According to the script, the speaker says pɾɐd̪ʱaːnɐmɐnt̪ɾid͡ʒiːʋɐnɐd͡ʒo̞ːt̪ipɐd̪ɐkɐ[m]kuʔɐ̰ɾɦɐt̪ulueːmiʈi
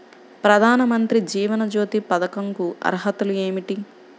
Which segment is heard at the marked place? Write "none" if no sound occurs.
ŋ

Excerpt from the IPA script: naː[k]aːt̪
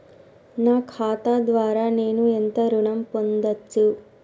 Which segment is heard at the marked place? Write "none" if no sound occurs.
kʰ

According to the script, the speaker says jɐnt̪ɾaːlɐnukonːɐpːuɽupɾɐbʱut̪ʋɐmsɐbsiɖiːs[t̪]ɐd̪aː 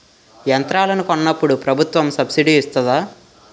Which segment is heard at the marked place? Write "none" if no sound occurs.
t̪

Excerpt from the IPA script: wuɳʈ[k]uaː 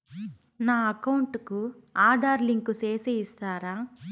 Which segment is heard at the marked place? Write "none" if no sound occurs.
k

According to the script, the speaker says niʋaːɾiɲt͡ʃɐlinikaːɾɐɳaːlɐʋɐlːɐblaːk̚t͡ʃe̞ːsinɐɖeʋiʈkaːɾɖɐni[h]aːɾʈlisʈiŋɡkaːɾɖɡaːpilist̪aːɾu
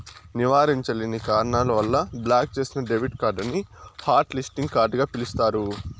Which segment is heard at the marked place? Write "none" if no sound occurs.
h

